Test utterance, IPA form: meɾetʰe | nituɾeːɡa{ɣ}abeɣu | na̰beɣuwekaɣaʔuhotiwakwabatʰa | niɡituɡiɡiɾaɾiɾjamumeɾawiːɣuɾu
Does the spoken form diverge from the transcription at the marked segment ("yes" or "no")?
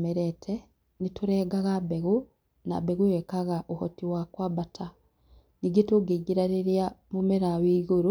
no